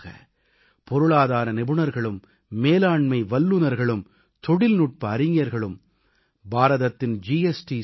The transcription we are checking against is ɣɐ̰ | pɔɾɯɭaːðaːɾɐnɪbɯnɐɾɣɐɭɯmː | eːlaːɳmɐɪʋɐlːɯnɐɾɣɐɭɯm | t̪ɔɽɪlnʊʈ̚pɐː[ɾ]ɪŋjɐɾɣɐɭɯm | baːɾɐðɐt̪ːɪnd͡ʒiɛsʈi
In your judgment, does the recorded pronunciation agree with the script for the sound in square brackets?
yes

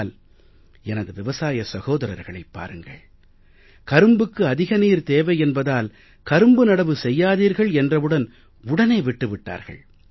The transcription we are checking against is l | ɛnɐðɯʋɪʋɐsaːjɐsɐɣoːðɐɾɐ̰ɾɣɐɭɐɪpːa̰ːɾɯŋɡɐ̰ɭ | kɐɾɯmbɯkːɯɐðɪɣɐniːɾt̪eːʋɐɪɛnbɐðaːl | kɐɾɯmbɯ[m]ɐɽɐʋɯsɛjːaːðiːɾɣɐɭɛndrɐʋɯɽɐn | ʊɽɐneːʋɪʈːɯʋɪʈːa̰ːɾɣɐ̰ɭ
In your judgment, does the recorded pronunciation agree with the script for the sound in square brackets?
no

